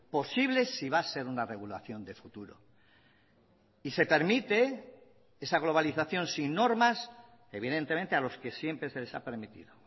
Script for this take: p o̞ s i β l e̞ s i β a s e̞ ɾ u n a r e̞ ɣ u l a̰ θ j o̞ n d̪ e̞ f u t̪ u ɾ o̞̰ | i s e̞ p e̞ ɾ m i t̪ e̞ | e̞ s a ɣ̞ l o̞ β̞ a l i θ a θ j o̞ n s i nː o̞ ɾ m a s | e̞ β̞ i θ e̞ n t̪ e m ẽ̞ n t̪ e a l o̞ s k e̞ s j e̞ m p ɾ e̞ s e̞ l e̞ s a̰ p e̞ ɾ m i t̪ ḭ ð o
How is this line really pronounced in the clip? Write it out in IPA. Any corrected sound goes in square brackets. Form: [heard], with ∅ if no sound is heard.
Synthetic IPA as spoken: p o̞ s i β l e̞ s i β a s e̞ ɾ u n a r e̞ ɣ u l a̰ θ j o̞ n d̪ e̞ f u t̪ u ɾ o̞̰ | i s e̞ p e̞ ɾ m i t̪ e̞ | e̞ s a ɣ̞ l o̞ β̞ a l i θ a θ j o̞ n s i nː o̞ ɾ m a s | e̞ β̞ i [ð] e̞ n t̪ e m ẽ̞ n t̪ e a l o̞ s k e̞ s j e̞ m p ɾ e̞ s e̞ l e̞ s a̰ p e̞ ɾ m i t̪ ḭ ð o